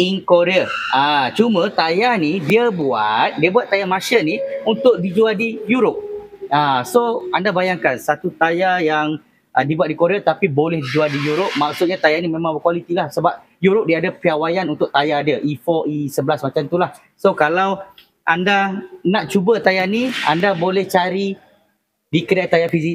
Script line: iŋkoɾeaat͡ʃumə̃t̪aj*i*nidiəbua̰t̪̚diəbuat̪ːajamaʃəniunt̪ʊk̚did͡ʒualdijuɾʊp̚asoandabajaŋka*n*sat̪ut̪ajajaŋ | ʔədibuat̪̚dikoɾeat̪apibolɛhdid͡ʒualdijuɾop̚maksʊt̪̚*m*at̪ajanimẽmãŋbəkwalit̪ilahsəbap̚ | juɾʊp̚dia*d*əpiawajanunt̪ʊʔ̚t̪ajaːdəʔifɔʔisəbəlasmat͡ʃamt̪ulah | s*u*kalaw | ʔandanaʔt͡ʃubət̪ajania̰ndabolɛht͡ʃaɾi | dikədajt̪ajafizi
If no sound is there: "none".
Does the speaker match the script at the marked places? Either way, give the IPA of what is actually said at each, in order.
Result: a, n, ɲ, d, o

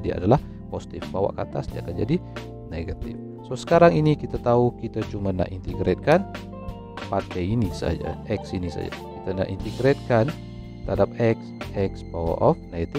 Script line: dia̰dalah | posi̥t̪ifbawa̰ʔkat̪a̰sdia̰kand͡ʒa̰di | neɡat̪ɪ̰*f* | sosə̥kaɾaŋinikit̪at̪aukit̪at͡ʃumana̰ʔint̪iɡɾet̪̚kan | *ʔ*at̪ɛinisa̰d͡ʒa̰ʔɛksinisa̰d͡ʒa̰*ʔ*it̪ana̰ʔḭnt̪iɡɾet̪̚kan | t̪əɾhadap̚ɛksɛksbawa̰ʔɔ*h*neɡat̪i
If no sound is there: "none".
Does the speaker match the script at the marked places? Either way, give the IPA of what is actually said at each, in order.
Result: f, p, k, f

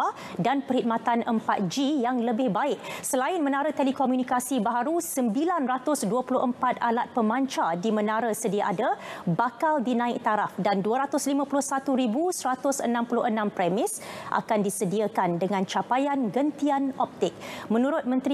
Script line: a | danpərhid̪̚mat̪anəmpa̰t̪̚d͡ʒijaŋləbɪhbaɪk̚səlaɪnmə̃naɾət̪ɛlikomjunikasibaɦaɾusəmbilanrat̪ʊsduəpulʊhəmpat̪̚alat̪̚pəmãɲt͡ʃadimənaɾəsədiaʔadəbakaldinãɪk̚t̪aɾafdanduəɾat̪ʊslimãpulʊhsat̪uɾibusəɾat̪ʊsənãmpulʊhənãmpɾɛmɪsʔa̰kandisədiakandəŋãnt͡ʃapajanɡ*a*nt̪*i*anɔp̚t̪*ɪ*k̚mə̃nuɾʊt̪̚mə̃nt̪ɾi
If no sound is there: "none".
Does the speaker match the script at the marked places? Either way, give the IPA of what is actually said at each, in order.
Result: ə, i, ɪ

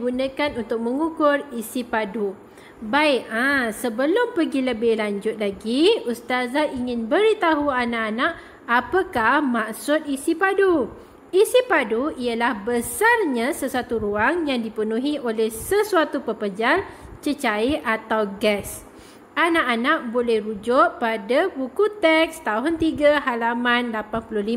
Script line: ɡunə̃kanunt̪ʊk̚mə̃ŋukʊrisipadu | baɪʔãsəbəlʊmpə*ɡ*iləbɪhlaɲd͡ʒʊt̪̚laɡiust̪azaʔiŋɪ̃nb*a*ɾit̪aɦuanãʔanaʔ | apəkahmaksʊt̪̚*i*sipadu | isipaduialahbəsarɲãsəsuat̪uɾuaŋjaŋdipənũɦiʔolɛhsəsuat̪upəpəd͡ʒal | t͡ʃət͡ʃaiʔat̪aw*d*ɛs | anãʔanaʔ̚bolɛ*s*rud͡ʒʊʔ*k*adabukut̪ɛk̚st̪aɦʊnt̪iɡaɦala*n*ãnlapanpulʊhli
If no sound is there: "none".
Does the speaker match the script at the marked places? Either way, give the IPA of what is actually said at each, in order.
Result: ɡ, ə, i, ɡ, h, p, m

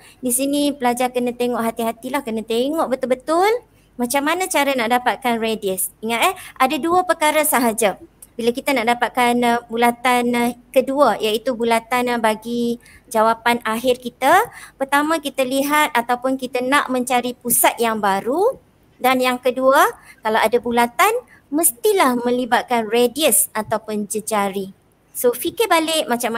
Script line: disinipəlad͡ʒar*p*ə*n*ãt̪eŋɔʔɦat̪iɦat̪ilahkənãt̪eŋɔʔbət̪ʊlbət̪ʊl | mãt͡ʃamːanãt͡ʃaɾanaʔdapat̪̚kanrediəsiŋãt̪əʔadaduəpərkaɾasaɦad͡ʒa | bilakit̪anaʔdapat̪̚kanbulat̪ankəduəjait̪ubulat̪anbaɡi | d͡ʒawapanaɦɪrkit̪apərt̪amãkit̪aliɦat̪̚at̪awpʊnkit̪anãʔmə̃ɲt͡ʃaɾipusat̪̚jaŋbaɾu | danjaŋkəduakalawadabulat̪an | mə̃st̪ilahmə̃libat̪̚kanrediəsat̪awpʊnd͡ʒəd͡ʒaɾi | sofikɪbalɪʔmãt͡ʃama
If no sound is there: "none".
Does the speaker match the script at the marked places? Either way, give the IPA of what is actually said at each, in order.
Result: k, n

